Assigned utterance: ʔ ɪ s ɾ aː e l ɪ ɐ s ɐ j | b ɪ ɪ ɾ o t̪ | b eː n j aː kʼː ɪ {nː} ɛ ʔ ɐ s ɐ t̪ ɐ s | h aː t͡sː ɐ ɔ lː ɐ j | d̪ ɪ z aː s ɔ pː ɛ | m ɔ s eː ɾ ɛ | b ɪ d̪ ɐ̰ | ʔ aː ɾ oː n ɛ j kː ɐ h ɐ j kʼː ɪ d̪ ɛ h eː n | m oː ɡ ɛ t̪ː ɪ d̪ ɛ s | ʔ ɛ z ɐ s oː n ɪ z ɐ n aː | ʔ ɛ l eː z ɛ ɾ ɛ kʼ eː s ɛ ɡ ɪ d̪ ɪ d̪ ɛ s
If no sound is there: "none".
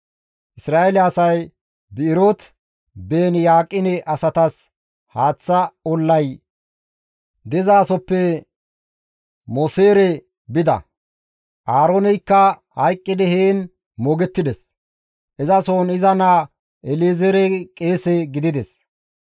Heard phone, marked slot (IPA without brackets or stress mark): n